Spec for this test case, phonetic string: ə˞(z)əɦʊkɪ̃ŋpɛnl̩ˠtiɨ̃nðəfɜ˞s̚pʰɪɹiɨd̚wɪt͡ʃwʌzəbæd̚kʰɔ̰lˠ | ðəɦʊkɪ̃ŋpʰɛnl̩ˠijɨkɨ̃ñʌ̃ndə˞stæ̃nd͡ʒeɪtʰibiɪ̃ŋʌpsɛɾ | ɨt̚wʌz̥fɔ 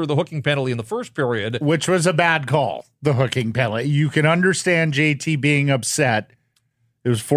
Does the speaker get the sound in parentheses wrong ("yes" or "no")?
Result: yes